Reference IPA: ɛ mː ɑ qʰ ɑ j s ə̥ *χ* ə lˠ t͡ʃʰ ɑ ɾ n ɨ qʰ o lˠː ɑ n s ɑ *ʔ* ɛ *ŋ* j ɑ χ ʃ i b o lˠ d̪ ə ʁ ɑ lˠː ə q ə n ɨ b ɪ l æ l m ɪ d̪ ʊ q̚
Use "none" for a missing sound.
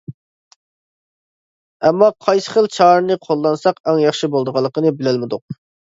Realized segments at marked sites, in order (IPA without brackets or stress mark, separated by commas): χ, q, ŋ